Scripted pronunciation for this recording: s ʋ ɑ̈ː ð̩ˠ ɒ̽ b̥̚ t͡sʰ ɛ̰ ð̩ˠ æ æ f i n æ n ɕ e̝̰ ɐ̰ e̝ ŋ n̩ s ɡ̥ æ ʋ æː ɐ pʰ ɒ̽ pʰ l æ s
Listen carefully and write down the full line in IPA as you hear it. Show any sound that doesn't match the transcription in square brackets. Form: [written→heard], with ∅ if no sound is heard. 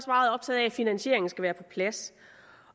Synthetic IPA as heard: s ʋ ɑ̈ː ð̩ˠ ɒ̽ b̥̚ t͡sʰ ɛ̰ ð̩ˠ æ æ f i n æ n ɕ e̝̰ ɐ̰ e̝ ŋ n̩ s ɡ̥ æ ʋ æː ɐ pʰ ɒ̽ pʰ l æ s